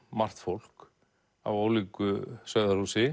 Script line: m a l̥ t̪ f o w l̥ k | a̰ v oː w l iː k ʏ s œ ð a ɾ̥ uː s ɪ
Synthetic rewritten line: m a r̥ t̪ f o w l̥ k | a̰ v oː w l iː k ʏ s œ ð a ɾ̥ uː s ɪ